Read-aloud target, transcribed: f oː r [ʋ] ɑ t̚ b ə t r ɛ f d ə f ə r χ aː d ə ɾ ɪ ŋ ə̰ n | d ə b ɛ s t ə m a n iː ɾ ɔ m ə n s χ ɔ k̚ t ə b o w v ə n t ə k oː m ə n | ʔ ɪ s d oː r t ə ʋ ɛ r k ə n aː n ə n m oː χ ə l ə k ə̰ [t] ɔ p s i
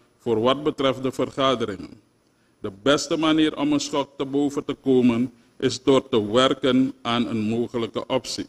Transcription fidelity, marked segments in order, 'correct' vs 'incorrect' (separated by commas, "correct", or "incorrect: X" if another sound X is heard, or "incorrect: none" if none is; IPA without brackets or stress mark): correct, incorrect: ʔ